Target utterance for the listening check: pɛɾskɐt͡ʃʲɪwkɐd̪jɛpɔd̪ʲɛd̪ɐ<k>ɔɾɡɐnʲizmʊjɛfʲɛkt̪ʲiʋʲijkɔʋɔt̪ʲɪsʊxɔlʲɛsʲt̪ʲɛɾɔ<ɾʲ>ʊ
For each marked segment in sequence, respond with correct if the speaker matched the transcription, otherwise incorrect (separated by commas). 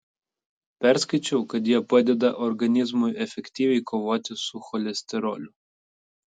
incorrect, incorrect